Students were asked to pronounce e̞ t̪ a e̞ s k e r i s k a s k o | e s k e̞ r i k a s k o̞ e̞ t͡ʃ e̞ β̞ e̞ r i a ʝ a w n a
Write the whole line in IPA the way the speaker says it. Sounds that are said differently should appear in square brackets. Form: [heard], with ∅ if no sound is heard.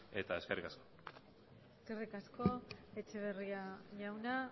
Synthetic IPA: e̞ t̪ a e̞ s k e r i [∅] k a s k o | e s k e̞ r i k a s k o̞ e̞ t͡ʃ e̞ β̞ e̞ r i a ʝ a w n a